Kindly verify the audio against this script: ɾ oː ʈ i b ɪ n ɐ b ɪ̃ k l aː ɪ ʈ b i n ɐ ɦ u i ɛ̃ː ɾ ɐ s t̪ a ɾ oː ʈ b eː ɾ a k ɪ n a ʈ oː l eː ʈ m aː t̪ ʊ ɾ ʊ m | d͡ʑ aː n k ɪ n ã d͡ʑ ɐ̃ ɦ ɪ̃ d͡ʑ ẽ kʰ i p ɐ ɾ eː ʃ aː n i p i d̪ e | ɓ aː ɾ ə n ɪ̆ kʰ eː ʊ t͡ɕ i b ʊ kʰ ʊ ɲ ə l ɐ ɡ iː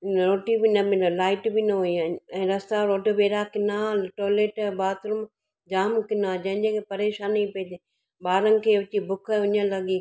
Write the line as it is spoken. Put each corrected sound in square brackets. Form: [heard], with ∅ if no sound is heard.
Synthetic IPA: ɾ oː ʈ i b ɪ n ɐ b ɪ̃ [∅] l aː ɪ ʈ b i n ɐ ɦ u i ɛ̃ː ɾ ɐ s t̪ a ɾ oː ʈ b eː ɾ a k ɪ n a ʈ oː l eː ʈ [b] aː t̪ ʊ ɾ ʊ m | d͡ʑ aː [m] k ɪ n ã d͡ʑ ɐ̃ ɦ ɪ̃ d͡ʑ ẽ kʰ [e] p ɐ ɾ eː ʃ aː n i p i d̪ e | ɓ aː ɾ ə n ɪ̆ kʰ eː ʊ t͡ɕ i b ʊ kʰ ʊ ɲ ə l ɐ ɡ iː

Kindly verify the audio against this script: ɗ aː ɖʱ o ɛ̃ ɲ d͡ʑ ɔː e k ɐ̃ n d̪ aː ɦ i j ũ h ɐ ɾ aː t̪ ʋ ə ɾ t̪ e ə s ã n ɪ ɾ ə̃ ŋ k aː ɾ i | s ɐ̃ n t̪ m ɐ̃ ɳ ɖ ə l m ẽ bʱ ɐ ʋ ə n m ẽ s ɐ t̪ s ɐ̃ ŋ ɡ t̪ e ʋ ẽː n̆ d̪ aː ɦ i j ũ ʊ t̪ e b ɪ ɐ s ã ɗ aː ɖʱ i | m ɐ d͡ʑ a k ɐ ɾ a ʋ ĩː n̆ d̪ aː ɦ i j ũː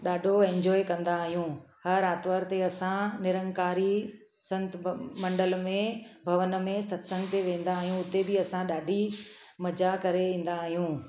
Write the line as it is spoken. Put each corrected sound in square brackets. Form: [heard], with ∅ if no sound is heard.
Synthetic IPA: ɗ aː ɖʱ o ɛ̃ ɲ d͡ʑ ɔː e k ɐ̃ n d̪ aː ɦ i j ũ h ɐ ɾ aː t̪ ʋ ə ɾ t̪ e [ɐ] s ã n ɪ ɾ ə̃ ŋ k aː ɾ i | s ɐ̃ n t̪ m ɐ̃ ɳ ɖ ə l m ẽ bʱ ɐ ʋ ə n m ẽ s ɐ t̪ s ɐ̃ ŋ ɡ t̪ e ʋ ẽː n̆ d̪ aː ɦ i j ũ ʊ t̪ e b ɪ ɐ s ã ɗ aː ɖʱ i | m ɐ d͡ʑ a k ɐ ɾ [e] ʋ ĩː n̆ d̪ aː ɦ i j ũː

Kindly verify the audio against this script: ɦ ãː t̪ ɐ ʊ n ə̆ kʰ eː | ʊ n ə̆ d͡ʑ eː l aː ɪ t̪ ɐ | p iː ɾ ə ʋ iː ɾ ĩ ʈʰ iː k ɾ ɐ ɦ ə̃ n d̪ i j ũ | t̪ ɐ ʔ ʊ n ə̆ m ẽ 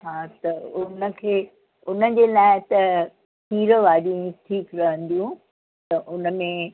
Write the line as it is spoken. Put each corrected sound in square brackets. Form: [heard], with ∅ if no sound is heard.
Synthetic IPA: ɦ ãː t̪ ɐ ʊ n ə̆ kʰ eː | ʊ n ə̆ d͡ʑ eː l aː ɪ t̪ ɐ | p iː ɾ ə ʋ [aː] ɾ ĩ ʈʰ iː k ɾ ɐ ɦ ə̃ n d̪ i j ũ | t̪ ɐ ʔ ʊ n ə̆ m ẽ

